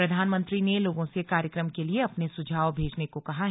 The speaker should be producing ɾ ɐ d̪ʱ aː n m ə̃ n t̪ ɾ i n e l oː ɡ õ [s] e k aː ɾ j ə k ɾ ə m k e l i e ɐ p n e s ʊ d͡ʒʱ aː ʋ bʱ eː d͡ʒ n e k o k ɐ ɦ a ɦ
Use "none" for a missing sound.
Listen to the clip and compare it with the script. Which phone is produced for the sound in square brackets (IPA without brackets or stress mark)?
s